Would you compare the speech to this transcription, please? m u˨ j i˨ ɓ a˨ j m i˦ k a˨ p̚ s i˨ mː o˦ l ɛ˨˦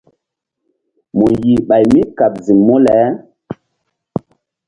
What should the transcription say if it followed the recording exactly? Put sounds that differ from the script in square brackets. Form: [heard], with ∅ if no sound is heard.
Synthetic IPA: m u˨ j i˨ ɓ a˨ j m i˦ k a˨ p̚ [z] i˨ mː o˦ l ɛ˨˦